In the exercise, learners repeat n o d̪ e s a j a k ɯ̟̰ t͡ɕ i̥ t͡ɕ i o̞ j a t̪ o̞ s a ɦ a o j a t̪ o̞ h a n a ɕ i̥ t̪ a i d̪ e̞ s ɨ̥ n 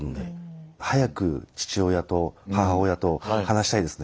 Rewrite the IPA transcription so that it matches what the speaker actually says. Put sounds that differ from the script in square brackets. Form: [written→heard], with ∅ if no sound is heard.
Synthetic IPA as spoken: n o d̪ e [s→h] a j a k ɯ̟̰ t͡ɕ i̥ t͡ɕ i o̞ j a t̪ o̞ [s→h] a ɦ a o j a t̪ o̞ h a n a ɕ i̥ t̪ a i d̪ e̞ s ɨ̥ n